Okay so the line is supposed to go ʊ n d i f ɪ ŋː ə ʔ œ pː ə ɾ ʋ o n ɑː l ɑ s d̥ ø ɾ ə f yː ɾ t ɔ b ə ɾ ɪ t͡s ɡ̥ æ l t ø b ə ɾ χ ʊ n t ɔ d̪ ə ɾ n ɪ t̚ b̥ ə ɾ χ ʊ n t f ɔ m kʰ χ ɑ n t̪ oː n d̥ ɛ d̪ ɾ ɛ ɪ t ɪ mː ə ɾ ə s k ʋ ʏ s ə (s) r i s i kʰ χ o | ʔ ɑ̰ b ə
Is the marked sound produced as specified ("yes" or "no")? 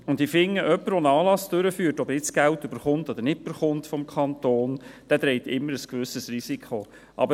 yes